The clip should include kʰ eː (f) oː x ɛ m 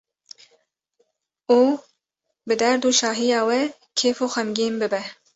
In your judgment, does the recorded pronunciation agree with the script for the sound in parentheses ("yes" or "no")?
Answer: yes